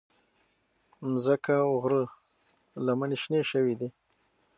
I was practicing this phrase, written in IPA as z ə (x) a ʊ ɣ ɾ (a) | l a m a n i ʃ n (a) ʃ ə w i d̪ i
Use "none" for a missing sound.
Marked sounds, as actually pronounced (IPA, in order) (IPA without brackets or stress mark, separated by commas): k, ə, e